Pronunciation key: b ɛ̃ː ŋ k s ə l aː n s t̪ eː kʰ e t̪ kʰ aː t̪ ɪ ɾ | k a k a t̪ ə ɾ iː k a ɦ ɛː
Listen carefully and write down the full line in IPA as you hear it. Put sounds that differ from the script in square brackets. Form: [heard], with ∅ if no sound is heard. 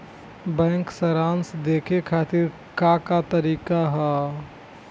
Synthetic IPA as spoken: b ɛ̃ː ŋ k s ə [ɾ] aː n s [d̪] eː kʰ e [∅] kʰ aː t̪ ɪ ɾ | k a k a t̪ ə ɾ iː k a ɦ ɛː